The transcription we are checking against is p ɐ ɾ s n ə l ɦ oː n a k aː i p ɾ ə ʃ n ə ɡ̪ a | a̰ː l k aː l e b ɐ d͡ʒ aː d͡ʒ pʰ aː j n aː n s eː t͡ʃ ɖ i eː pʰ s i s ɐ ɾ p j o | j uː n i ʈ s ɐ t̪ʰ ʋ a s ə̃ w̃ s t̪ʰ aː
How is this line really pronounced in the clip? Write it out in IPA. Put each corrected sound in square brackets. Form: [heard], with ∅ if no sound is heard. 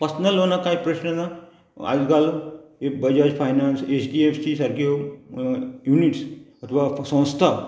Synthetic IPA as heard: p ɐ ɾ s n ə l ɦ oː n a k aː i p ɾ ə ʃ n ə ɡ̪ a | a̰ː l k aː l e b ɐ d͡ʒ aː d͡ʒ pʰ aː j n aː n s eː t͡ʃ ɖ i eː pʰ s i s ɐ ɾ [k] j o | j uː n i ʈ s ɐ t̪ʰ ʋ a s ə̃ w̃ s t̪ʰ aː

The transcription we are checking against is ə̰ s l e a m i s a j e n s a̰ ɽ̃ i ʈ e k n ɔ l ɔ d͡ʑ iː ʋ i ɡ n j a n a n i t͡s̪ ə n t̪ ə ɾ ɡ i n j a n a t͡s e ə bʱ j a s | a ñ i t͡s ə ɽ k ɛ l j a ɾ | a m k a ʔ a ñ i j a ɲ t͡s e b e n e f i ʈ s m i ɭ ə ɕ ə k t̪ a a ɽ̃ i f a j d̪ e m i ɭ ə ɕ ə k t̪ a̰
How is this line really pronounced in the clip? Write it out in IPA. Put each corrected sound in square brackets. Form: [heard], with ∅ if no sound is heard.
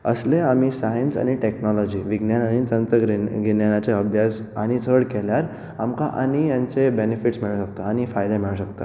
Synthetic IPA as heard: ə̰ s l e a m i s a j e n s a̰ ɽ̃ i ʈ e k n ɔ l ɔ d͡ʑ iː ʋ i ɡ n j a n a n i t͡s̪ ə n t̪ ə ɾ ɡ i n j a n a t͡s e ə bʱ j a s | a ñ i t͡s ə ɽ k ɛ l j a ɾ | a m k a ʔ a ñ i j a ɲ t͡s e b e n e f i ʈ s m i ɭ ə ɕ ə k t̪ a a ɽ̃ i f a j d̪ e m i ɭ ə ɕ ə k t̪ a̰

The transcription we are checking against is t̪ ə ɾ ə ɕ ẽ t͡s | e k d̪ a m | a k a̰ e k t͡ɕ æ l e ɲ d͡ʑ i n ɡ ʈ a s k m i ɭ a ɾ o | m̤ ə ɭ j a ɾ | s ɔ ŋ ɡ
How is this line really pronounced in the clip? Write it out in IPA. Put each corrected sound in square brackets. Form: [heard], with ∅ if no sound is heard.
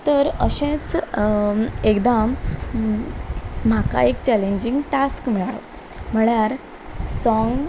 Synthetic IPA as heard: t̪ ə ɾ ə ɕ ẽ t͡s | e k d̪ a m | a k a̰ e k t͡ɕ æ l e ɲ d͡ʑ i [ŋ] ɡ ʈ a s k m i ɭ a [ɭ] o | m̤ ə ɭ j a ɾ | s ɔ ŋ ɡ

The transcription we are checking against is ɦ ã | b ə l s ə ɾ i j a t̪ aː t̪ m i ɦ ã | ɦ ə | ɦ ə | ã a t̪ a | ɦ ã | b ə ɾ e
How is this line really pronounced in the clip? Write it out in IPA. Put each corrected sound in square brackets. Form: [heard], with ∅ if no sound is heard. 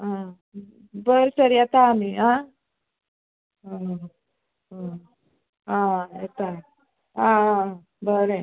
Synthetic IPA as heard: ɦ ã | b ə [ɾ] s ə ɾ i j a t̪ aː [∅] m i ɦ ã | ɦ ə | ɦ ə | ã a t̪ a | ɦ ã | b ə ɾ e

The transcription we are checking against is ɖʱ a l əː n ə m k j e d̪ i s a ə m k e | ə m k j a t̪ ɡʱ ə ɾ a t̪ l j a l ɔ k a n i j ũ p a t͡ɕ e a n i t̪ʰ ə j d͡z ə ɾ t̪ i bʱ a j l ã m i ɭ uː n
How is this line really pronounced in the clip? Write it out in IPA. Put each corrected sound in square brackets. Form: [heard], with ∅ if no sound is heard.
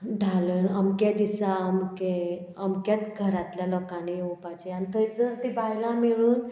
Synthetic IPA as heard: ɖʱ a l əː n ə m k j [a] d̪ i s a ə m k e | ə m k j a t̪ ɡʱ ə ɾ a t̪ l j a l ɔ k a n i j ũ p a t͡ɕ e a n i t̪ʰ ə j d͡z ə ɾ t̪ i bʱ a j l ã m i ɭ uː n

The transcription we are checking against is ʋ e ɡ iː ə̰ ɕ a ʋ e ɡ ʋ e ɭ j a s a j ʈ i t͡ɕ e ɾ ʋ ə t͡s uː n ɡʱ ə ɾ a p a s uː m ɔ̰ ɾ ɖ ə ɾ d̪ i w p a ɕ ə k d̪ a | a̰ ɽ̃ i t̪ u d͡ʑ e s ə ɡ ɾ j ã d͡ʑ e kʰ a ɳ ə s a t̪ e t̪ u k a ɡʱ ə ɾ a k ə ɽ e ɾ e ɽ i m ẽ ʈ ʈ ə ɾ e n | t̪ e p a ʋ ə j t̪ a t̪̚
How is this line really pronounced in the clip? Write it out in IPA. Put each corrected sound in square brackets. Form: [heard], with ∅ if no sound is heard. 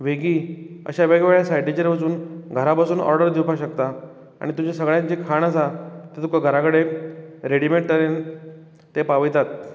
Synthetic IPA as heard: ʋ e ɡ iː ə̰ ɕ a ʋ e ɡ ʋ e ɭ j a s a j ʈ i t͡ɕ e ɾ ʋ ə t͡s uː n ɡʱ ə ɾ a p a s uː [n] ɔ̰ ɾ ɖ ə ɾ d̪ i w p a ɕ ə k [t̪] a | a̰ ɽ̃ i t̪ u d͡ʑ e s ə ɡ [ɭ] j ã d͡ʑ e kʰ a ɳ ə s a t̪ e t̪ u k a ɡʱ ə ɾ a k ə ɽ e ɾ e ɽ i m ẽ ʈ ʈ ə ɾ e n | t̪ e p a ʋ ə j t̪ a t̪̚

